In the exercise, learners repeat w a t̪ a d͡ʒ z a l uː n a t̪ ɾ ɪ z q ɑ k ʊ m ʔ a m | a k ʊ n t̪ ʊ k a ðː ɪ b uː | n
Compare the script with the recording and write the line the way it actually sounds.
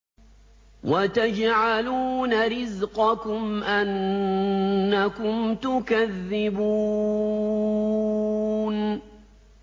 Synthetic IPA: w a t̪ a d͡ʒ ʕ a l uː n a ɾ ɪ z q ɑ k ʊ m ʔ a n | a k ʊ m t̪ ʊ k a ðː ɪ b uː | n